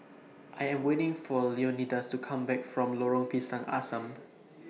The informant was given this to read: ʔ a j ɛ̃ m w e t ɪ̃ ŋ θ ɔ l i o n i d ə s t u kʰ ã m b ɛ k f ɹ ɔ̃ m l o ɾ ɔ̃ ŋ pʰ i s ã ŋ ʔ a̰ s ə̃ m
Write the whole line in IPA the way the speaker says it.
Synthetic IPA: ʔ a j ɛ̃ m w e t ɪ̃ ŋ f ɔ l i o n i d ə s t u kʰ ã m b ɛ k f ɹ ɔ̃ m l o ɹ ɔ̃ ŋ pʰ i s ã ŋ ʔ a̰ s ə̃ m